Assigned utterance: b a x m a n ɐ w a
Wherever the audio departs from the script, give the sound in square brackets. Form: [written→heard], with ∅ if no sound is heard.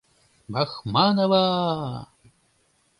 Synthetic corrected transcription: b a x m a n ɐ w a